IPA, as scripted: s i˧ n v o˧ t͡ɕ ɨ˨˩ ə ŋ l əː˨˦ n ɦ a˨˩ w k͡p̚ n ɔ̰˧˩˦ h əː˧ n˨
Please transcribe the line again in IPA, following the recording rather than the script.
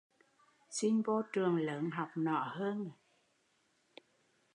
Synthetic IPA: s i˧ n v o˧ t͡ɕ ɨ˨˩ ə ŋ l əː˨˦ n ɦ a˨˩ w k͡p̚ n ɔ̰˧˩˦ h əː˧ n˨